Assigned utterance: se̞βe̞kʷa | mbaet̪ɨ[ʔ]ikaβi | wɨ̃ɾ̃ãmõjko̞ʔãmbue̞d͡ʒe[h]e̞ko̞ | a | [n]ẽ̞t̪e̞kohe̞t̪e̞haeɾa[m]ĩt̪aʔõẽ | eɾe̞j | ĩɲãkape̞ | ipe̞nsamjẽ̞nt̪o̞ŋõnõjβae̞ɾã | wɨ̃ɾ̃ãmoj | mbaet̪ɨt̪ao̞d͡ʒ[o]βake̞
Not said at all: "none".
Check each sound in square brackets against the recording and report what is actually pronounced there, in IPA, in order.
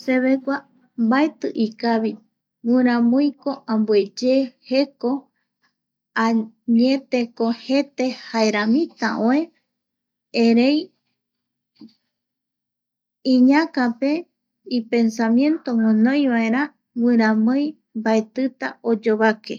ʔ, h, ɲ, m, o

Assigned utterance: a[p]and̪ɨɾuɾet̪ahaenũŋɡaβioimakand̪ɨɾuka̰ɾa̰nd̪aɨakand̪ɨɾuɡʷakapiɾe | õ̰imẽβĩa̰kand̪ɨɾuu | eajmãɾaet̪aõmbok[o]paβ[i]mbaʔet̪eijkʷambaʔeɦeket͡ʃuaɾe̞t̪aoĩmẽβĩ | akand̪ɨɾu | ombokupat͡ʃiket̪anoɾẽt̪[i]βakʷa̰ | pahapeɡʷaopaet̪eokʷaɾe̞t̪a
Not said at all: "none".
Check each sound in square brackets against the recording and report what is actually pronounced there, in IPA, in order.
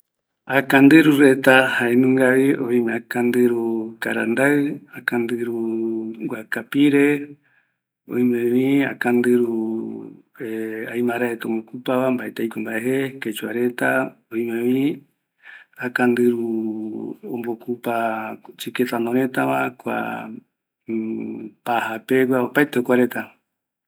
k, u, a, a

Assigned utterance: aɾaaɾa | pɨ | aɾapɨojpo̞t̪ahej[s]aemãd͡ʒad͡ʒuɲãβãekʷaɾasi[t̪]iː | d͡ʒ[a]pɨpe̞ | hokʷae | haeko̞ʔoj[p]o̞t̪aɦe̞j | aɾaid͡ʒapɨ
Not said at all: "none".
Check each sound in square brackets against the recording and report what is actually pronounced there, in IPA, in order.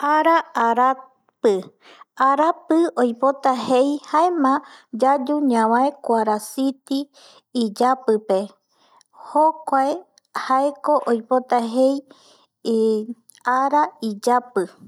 h, t̪, a, p

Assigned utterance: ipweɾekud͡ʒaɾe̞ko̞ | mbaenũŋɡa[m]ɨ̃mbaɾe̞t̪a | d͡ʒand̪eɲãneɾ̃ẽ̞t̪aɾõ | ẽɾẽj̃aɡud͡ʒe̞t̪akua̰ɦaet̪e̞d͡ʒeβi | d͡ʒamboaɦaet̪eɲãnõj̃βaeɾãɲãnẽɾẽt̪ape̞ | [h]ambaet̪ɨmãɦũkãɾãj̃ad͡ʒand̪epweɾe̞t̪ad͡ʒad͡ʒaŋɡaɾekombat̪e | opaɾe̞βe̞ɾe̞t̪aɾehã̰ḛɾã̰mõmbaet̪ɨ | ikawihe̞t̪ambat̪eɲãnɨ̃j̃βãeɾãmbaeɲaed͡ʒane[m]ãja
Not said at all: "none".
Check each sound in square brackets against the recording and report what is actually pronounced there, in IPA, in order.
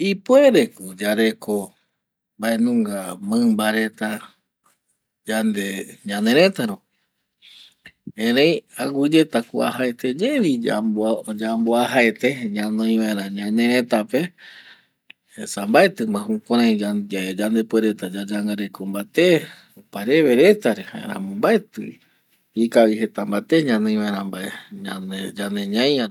m, s, ɲ

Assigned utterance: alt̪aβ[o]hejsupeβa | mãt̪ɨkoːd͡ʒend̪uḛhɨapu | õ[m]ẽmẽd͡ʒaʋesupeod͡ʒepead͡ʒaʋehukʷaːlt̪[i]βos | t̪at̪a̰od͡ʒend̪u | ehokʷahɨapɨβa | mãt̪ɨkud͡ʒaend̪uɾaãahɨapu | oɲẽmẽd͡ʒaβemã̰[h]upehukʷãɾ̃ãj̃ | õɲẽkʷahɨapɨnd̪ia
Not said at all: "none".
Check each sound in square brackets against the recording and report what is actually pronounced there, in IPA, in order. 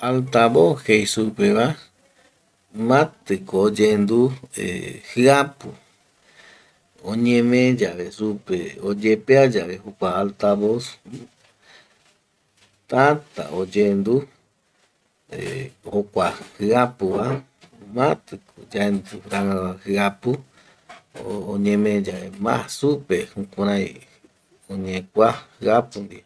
o, ɲ, a, s

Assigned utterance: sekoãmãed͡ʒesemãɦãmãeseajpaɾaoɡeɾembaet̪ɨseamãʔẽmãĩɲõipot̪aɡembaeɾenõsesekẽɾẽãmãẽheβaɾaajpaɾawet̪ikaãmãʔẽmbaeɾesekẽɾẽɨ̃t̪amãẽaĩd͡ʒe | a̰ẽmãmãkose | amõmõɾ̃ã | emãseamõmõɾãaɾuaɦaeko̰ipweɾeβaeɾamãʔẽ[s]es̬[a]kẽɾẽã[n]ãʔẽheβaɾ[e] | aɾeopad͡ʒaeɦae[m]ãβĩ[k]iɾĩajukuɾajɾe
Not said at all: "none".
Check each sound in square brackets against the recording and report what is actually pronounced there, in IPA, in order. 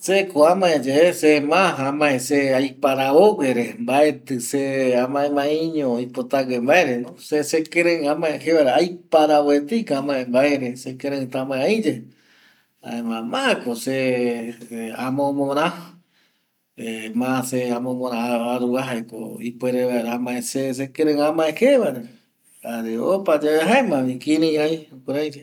s, e, m, e, m, k

